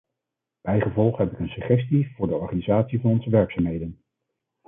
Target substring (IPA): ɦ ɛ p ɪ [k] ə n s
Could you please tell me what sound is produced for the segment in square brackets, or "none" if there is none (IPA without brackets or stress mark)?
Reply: k